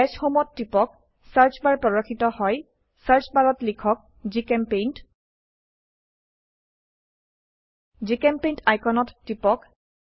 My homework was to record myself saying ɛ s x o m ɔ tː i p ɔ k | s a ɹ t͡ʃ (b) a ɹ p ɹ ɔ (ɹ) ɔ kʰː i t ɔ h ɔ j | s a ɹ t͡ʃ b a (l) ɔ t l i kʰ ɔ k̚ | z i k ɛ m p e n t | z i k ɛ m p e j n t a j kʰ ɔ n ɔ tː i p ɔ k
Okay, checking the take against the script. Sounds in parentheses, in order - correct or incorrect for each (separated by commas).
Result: correct, correct, incorrect